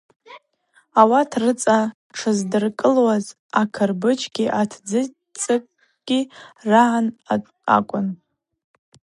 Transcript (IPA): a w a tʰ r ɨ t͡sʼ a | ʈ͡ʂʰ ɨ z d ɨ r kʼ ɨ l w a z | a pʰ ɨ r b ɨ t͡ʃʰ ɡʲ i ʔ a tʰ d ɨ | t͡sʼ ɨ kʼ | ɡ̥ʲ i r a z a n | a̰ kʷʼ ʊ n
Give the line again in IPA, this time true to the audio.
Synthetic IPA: a w a tʰ r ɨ t͡sʼ a | ʈ͡ʂʰ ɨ z d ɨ r kʼ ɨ l w a z | a kʰ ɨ r b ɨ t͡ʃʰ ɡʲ i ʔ a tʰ d͡z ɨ | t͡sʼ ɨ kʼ | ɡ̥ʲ i r a ʕ a n | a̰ kʷʼ ʊ n